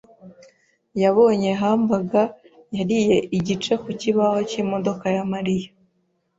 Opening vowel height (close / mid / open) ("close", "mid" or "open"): open